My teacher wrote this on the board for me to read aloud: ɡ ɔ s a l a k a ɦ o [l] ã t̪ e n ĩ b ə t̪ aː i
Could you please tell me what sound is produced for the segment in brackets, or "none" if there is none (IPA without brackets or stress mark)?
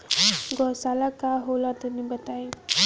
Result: l